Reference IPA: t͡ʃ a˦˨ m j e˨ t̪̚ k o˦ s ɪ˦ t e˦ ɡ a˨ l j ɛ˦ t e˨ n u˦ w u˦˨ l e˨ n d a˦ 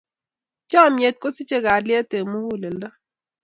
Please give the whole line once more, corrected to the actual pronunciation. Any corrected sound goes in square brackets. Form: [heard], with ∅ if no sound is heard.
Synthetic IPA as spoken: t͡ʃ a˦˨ m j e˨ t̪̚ k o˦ s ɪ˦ [t͡ʃ] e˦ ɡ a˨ l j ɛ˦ t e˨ [m] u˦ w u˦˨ l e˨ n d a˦